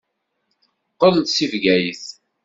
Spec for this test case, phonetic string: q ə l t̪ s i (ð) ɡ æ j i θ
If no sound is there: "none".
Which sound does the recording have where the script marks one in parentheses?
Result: v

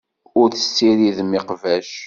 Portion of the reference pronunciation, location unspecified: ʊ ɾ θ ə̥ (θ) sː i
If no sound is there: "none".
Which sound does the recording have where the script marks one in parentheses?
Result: none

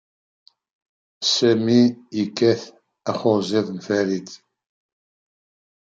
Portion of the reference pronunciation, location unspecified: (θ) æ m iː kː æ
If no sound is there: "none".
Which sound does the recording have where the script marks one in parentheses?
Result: s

